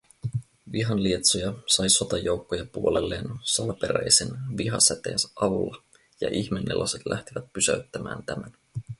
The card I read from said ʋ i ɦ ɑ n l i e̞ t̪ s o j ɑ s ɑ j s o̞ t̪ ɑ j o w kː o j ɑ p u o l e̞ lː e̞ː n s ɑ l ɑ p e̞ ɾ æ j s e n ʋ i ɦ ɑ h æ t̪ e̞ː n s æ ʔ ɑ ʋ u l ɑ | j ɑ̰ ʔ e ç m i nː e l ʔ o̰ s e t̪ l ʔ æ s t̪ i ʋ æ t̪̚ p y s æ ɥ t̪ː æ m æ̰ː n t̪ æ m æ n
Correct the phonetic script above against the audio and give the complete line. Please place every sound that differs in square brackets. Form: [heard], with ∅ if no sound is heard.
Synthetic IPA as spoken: ʋ i ɦ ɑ n l i e̞ t̪ s o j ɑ s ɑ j s o̞ t̪ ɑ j o w kː o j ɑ p u o l e̞ lː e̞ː n s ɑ l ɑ p e̞ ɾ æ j s e n ʋ i ɦ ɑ [s] æ t̪ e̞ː n s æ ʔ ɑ ʋ u [lː] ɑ | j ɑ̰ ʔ [i] ç m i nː e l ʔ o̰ s e t̪ l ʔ æ [h] t̪ i ʋ æ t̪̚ p y s æ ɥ t̪ː æ m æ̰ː n t̪ æ m æ n